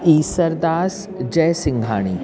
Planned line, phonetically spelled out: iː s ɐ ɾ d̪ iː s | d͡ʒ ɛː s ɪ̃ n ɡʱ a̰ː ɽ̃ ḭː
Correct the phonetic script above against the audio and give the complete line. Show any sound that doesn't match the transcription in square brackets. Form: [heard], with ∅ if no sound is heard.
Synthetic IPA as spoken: iː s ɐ ɾ d̪ [aː] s | d͡ʒ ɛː s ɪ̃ [ŋ] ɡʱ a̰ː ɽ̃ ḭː